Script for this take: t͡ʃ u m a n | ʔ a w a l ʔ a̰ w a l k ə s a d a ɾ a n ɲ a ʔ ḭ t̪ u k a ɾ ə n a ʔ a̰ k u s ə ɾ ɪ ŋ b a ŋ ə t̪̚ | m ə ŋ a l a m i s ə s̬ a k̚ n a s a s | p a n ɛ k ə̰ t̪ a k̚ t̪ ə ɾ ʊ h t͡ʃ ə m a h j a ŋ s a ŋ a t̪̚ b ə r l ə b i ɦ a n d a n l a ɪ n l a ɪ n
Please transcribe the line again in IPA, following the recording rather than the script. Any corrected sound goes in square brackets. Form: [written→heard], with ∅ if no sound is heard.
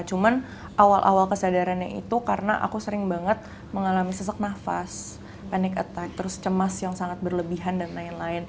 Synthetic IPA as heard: t͡ʃ u m a n | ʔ a w a l ʔ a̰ w a l k ə s a d a ɾ a n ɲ a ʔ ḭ t̪ u k a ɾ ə n a ʔ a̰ k u s ə ɾ ɪ ŋ b a ŋ ə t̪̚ | m ə ŋ a l a m i s ə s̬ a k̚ n a [s→f] a s | p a n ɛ k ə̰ t̪ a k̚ t̪ ə ɾ ʊ [h→s] t͡ʃ ə m a [h→s] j a ŋ s a ŋ a t̪̚ b ə r l ə b i ɦ a n d a n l a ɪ n l a ɪ n